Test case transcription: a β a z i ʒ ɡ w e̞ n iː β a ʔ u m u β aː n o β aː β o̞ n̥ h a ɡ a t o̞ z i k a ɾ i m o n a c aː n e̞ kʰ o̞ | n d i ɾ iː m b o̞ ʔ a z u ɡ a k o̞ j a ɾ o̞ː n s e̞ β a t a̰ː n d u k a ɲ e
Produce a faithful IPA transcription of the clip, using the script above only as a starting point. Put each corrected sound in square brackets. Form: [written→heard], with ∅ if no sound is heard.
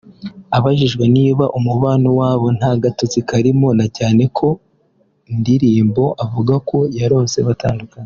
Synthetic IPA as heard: a β a [z→ʒ] i ʒ ɡ w e̞ n iː β a ʔ u m u β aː n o [β→w] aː β o̞ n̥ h a ɡ a t o̞ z i k a ɾ i m o n a c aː n e̞ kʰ o̞ | n d i ɾ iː m b o̞ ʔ a [z→v] u ɡ a k o̞ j a ɾ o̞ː n s e̞ β a t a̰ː n d u k a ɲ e

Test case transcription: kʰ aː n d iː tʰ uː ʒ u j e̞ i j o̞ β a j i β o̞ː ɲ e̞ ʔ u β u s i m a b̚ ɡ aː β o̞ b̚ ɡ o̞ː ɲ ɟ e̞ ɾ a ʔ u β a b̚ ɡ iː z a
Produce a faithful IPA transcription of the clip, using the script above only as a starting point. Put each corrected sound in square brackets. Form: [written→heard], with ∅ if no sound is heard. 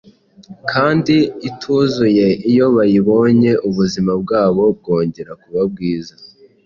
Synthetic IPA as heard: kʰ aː n d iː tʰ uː [ʒ→z] u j e̞ i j o̞ β a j i β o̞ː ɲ e̞ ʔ u β u [s→z] i m a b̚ ɡ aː β o̞ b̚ ɡ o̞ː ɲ ɟ e̞ ɾ a [ʔ→k] u β a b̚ ɡ iː z a

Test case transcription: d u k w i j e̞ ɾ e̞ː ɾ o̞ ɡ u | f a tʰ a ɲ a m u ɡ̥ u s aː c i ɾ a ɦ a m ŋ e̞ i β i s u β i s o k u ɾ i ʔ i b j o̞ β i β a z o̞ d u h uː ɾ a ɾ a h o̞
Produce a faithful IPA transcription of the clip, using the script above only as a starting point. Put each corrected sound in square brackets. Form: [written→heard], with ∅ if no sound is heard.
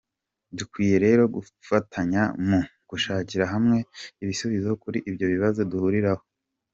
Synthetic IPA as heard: d u k w [i→iː] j e̞ ɾ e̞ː ɾ o̞ ɡ u | f a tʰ a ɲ a m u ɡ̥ u [s→ʃ] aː c i ɾ a ɦ a m ŋ e̞ i β i s u β i [s→z] o k u ɾ i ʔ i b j o̞ β i β a z o̞ d u h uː ɾ [a→i] ɾ a h o̞

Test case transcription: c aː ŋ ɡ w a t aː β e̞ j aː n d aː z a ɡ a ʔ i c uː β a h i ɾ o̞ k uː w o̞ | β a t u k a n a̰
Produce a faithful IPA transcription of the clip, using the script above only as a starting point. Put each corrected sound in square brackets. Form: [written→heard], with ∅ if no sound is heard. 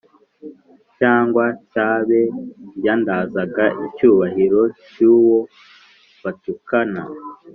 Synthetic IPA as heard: c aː ŋ ɡ w a [t→c] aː β e̞ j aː n d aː z a ɡ a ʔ i c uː β a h i ɾ o̞ [k→c] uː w o̞ | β a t u k a n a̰

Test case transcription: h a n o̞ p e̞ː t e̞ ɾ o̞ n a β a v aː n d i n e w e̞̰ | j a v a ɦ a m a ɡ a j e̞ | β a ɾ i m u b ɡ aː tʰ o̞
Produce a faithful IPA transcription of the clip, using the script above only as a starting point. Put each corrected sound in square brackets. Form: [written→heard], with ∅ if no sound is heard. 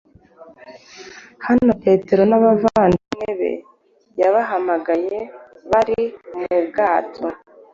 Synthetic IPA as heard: h a n o̞ p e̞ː t e̞ ɾ o̞ n a β a v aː n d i n e [w→β] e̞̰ | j a [v→β] a ɦ a m a ɡ a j e̞ | β a ɾ i m u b ɡ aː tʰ o̞

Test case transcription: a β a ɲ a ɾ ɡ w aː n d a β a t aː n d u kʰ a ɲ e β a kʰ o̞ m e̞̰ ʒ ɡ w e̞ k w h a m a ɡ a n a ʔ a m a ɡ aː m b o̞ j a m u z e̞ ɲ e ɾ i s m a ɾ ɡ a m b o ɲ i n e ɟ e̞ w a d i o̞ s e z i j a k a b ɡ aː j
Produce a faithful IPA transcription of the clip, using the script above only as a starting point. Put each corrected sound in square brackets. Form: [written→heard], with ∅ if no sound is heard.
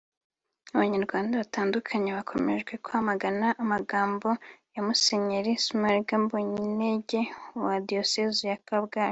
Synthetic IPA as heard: a β a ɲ a ɾ ɡ w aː n d a β a t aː n d u kʰ a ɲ e β a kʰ o̞ m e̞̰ ʒ ɡ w e̞ k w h a m a ɡ a n a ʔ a m a ɡ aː m b o̞ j a m u [z→s] e̞ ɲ e ɾ i s m a ɾ ɡ a m b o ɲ i n e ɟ e̞ w a d i o̞ s e z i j a k a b ɡ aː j

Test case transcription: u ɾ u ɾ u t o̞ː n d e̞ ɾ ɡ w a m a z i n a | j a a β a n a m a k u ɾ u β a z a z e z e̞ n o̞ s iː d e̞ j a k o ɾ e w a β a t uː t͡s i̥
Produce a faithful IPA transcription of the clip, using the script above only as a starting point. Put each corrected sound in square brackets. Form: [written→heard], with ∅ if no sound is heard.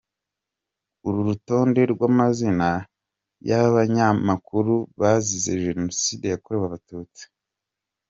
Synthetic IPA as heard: u ɾ u ɾ u t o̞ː n d e̞ ɾ ɡ w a m a z i n a | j a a β a [n→ɲ] a m a k u ɾ u β a z [a→i] z e [z→ʒ] e̞ n o̞ s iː d e̞ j a k o ɾ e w a β a t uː t͡s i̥

